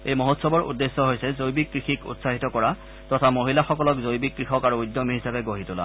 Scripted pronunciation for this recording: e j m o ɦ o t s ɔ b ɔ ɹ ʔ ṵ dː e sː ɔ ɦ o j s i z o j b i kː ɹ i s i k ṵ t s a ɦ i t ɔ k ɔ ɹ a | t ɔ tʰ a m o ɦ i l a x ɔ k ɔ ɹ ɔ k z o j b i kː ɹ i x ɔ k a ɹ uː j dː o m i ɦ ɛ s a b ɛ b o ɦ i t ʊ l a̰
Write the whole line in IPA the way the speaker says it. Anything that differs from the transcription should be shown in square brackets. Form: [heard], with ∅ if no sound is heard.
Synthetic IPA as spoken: e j m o ɦ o t s ɔ b ɔ ɹ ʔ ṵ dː e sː ɔ ɦ o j s [ɛ] z o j b i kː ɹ i [x] i k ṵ t s a ɦ i t ɔ k ɔ ɹ a | t ɔ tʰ a m o ɦ i l a x ɔ k ɔ [l] ɔ k z o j b i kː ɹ i x ɔ k a ɹ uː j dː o m i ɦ [i] s a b ɛ [ɡ] o ɦ i t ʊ l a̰